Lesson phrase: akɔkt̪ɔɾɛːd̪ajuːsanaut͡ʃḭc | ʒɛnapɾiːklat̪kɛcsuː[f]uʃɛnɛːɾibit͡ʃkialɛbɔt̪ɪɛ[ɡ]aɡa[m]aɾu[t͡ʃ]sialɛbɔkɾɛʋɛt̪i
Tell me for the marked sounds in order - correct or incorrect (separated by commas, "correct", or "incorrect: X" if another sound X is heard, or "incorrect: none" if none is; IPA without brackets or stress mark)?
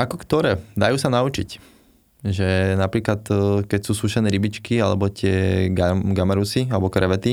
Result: incorrect: s, correct, correct, incorrect: none